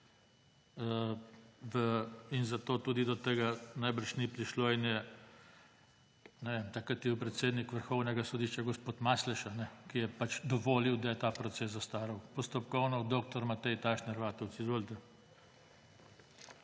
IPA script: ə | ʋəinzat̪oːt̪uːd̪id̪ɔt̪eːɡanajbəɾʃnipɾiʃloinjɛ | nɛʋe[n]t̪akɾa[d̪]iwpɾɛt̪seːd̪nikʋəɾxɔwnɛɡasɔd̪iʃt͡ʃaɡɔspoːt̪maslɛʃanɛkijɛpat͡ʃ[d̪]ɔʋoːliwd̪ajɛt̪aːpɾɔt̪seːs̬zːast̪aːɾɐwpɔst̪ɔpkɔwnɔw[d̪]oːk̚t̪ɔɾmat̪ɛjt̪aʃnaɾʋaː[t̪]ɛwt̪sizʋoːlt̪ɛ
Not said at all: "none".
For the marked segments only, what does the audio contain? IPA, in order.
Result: m, t̪, d̪, d̪, t̪

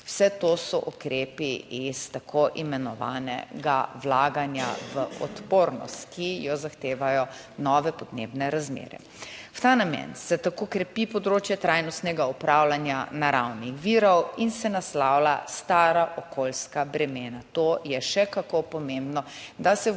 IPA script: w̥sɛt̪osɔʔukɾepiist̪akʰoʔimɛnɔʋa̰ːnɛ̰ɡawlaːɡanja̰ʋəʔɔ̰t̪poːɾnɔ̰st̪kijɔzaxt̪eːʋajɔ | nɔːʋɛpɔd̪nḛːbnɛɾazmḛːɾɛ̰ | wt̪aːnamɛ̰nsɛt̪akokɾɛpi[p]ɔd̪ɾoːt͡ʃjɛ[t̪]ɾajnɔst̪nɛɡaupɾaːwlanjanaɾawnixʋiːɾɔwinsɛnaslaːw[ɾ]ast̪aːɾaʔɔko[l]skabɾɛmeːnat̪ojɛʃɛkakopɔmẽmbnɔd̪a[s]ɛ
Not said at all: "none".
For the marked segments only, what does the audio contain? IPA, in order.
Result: p, t̪, l, l, s

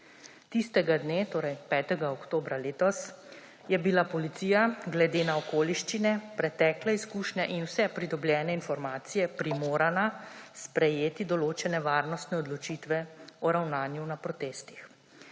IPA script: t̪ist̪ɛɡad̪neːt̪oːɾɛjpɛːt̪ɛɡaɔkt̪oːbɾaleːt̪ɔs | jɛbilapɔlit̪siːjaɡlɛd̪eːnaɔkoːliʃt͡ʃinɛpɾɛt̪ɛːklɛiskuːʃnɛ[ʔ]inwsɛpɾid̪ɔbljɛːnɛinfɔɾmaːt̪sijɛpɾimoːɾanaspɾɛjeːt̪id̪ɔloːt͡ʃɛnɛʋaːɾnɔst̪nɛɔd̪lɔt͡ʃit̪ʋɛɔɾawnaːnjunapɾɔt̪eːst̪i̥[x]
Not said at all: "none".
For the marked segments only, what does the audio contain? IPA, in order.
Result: ʔ, x

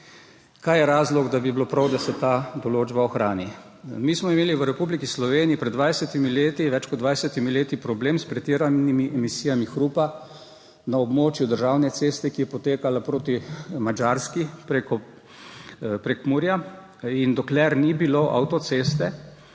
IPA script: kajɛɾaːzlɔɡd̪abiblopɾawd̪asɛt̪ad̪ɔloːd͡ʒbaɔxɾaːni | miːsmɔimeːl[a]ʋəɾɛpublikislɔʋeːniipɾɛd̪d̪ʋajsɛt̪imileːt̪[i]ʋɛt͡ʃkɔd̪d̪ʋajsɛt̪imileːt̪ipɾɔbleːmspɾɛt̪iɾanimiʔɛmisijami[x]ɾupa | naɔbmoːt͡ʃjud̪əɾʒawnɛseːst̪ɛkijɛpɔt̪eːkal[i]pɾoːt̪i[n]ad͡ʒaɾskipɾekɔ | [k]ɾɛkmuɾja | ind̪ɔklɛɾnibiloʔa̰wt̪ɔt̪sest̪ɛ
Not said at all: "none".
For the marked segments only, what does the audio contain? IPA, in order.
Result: i, i, x, a, m, p

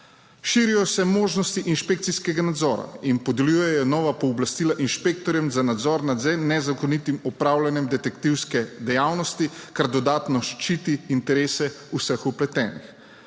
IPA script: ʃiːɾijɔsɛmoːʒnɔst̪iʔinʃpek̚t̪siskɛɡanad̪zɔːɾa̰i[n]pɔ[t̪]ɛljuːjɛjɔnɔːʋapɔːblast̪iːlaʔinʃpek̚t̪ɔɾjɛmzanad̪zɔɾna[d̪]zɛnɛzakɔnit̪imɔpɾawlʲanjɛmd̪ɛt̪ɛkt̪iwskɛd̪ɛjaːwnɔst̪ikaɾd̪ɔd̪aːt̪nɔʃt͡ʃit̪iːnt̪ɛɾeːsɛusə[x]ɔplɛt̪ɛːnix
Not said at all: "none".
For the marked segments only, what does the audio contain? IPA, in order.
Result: n, d̪, d̪, x

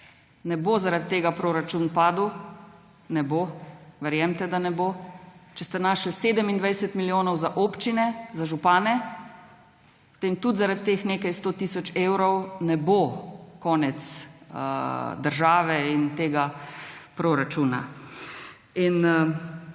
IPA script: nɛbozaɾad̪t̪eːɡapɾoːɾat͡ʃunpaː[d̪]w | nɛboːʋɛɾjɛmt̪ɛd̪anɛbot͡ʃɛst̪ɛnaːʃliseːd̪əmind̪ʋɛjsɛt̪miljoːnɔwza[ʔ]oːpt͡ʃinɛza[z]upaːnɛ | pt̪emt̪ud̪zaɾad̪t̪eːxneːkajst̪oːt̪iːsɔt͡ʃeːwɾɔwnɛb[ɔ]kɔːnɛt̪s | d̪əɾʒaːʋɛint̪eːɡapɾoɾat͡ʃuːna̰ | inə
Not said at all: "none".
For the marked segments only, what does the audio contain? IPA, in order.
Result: d̪, ʔ, ʒ, o

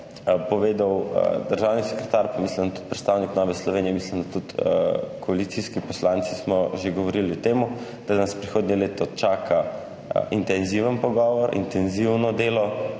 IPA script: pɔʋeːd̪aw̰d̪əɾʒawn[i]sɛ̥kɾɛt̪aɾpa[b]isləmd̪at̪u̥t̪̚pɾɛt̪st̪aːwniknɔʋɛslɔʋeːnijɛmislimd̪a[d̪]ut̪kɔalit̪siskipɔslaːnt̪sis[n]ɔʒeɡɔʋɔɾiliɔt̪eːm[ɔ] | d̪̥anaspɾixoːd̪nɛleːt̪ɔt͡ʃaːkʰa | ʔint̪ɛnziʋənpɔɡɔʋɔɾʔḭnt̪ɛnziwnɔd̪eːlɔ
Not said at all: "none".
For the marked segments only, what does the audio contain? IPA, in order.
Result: i, m, t̪, m, u

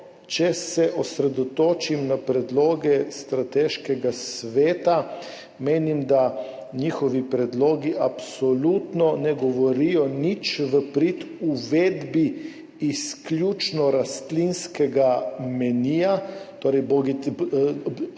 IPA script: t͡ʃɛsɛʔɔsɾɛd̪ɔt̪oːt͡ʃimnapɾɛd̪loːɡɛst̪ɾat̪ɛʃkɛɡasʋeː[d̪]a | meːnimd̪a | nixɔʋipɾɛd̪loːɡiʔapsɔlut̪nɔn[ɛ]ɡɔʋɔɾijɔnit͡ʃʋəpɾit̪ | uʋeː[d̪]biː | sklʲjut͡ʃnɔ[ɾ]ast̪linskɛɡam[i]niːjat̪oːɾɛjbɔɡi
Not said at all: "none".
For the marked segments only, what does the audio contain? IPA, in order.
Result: t̪, ɛ, d̪, ɾ, ɛ

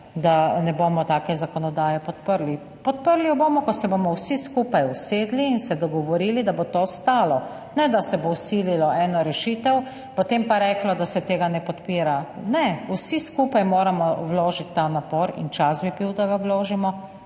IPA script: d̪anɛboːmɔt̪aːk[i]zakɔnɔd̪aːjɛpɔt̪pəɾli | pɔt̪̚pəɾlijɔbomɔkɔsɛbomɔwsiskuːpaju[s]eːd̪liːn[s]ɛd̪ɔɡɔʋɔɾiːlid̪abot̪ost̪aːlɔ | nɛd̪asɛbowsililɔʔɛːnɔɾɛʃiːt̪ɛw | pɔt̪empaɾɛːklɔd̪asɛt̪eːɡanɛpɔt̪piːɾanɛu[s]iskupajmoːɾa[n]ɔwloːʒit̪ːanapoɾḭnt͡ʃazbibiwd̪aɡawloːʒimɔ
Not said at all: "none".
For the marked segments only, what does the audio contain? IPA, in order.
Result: ɛ, s, s, s, m

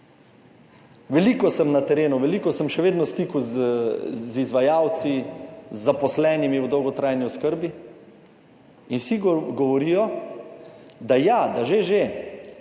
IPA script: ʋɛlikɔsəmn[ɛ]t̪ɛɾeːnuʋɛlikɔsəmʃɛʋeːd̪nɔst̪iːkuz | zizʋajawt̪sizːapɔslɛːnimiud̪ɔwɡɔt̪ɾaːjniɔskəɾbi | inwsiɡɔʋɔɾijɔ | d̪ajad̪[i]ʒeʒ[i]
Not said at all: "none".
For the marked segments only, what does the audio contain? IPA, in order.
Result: a, a, e

